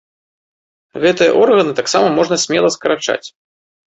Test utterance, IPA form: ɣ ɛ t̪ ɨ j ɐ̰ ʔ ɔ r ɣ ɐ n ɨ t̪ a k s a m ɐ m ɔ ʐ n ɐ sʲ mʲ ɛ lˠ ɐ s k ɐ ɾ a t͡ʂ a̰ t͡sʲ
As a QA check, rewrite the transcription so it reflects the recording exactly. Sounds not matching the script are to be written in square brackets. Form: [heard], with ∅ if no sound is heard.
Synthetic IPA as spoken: ɣ ɛ t̪ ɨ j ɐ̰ ʔ ɔ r ɣ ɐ n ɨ t̪ a k s a m ɐ m ɔ ʐ n ɐ sʲ mʲ ɛ lˠ ɐ s k ɐ ɾ a t͡ʂ a̰ t͡sʲ